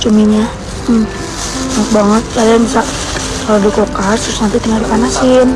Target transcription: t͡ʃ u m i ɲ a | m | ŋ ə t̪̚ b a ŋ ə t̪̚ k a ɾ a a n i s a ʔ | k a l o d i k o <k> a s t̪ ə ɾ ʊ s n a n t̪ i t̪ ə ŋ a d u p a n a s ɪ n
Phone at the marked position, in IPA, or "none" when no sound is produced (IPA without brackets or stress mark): k